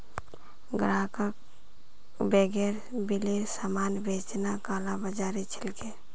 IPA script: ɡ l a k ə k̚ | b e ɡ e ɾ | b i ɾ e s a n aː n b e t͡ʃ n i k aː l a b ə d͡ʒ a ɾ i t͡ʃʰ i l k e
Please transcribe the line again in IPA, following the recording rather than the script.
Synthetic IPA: ɡ ɾ a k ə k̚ | b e ɡ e ɾ | b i l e s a m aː n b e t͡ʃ n a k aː l a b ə d͡ʒ a ɾ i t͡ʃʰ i l k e

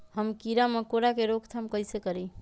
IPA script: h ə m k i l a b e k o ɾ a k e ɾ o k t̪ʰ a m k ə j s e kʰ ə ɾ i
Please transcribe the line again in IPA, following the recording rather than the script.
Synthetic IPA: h ə m k i ɾ a m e k o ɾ a k e ɾ o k t̪ʰ a m k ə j s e k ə ɾ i

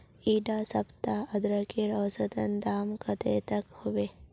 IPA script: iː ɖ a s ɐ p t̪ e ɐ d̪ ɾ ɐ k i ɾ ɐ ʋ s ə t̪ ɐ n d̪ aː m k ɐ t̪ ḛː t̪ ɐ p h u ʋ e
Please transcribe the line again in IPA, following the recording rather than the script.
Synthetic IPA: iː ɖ a s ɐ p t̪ a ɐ d̪ ɾ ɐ k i ɾ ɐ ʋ s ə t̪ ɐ n d̪ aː m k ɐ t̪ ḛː t̪ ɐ k h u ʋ e

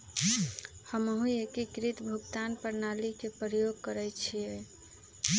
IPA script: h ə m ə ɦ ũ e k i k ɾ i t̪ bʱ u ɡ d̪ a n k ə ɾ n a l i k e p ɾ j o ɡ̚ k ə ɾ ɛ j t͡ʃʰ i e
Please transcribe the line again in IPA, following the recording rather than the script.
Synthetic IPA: h ə m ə ɦ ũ e k i k ɾ i t̪ bʱ u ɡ t̪ a n p ə ɾ n a l i k e p ɾ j o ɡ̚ k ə ɾ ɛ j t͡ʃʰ i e

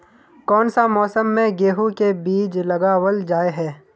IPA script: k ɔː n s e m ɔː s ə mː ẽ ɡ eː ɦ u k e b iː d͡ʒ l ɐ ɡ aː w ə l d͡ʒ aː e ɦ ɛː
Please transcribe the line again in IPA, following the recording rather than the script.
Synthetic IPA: k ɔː n s a m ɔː s ə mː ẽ ɡ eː ɦ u k e b iː d͡ʒ l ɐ ɡ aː w ə l d͡ʒ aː e ɦ ɛː

